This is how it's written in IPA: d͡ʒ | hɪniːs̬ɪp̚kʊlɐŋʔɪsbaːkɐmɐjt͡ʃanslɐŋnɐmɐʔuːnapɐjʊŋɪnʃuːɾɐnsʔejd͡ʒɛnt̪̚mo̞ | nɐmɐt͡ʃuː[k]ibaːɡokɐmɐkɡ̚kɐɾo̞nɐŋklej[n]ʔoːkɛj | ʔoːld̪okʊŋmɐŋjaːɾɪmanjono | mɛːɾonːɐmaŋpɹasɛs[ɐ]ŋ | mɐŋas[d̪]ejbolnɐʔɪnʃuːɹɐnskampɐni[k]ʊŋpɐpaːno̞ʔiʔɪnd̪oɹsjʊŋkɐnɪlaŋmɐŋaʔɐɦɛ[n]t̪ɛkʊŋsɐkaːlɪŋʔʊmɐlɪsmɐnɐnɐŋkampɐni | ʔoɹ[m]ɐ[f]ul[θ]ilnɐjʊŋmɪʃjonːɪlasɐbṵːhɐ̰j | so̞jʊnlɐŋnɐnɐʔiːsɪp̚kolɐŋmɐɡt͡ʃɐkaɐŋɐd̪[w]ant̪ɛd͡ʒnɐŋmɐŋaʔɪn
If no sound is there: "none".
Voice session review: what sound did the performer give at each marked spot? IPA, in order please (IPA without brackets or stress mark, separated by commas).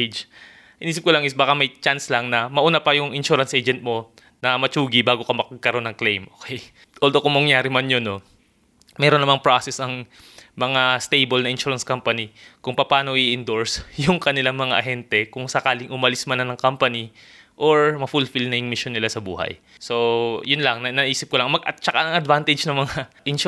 ɡ, m, ɐ, t̪, k, n, m, f, f, v